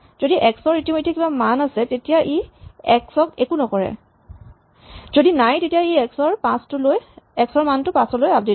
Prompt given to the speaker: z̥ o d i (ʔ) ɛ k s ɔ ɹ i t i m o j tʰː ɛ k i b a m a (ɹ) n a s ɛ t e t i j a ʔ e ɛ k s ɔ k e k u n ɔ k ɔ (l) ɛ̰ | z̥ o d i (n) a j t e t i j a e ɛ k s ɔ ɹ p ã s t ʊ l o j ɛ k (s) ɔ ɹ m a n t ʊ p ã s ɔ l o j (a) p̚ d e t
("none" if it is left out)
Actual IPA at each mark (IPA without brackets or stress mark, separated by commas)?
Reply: ʔ, none, ɹ, n, s, a